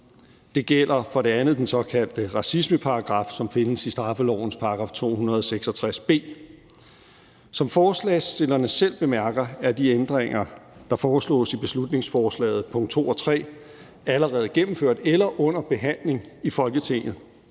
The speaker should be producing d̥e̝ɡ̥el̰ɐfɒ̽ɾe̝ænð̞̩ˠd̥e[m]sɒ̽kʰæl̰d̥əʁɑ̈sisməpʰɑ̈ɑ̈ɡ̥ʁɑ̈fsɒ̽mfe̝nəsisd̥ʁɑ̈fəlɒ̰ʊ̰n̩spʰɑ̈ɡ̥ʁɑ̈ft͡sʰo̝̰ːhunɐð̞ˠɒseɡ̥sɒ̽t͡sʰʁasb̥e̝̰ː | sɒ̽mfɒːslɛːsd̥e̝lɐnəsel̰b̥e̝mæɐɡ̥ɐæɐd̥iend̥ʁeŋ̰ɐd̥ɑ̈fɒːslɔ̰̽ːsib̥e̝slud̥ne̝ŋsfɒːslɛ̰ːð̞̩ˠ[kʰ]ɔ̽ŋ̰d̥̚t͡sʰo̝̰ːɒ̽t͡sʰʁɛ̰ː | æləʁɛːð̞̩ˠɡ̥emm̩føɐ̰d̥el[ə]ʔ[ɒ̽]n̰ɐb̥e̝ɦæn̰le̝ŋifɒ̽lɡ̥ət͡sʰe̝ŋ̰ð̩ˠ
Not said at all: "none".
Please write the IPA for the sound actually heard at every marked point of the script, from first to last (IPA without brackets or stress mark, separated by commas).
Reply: n, pʰ, ɐ, ɔ̽